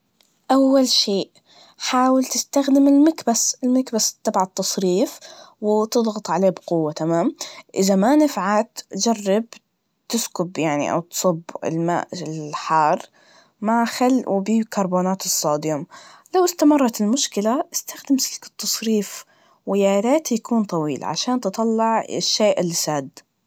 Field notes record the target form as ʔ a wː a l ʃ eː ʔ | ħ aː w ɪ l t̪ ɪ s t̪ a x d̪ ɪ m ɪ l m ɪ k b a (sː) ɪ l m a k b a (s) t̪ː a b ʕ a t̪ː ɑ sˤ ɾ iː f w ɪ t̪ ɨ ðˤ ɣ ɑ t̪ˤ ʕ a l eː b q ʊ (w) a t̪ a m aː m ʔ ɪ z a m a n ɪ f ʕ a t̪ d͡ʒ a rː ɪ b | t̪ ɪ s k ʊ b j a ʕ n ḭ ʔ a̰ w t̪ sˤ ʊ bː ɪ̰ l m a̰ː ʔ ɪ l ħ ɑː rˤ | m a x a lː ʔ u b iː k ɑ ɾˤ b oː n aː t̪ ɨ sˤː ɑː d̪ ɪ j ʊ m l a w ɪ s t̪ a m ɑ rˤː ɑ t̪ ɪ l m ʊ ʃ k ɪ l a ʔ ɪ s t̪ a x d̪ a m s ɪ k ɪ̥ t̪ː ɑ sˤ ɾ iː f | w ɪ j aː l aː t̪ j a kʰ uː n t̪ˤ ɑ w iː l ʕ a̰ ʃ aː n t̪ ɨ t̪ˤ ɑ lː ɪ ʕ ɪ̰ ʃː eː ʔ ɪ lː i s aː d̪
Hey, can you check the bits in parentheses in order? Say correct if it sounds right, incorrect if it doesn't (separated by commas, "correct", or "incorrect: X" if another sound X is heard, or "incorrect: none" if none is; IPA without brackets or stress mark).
incorrect: s, correct, incorrect: wː